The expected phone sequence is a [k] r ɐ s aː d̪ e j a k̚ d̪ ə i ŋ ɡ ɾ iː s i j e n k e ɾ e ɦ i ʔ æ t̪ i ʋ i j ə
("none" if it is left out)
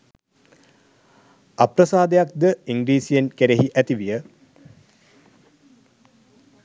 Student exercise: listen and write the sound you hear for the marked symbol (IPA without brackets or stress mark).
p